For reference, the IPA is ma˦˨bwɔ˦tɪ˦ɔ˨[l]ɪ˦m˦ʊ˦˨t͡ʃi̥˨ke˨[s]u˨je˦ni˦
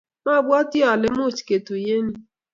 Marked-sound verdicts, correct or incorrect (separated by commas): correct, incorrect